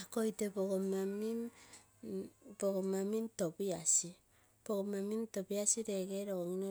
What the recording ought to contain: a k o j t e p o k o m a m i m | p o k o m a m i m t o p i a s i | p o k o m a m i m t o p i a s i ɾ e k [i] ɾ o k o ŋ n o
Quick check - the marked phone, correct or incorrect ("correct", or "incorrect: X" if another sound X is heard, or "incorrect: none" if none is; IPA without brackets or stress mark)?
incorrect: e